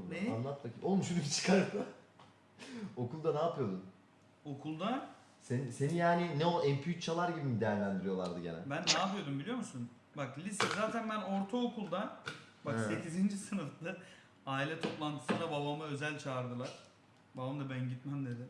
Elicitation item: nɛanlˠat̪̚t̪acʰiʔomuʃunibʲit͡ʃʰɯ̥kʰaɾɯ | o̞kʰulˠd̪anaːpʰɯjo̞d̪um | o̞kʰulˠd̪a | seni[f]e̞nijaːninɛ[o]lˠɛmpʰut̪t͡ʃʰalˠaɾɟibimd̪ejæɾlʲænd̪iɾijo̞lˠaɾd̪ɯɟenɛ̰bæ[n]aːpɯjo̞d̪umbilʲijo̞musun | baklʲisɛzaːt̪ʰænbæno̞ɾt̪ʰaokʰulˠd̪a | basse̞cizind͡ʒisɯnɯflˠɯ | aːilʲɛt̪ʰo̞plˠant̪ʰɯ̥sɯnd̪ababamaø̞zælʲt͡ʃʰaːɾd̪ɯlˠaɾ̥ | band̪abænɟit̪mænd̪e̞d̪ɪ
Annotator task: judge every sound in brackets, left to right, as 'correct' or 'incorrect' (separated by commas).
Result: incorrect, correct, incorrect